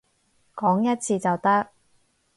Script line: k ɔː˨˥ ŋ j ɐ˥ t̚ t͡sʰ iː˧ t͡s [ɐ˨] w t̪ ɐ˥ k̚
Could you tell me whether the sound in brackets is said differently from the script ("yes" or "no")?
no